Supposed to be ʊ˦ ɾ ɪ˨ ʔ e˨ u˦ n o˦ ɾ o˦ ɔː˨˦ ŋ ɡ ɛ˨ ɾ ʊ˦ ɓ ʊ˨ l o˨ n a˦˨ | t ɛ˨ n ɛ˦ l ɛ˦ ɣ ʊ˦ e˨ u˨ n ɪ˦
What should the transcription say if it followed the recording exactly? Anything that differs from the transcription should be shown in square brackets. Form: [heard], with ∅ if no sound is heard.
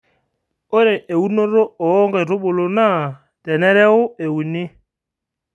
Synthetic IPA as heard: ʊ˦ ɾ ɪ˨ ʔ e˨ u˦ n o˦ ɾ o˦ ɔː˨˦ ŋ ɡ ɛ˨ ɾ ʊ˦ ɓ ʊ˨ l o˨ n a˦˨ | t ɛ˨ n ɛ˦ [ɾ] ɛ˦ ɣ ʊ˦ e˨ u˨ n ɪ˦